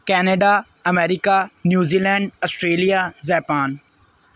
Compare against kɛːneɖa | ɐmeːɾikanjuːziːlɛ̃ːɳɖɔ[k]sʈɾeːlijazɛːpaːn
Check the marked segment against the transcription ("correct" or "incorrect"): incorrect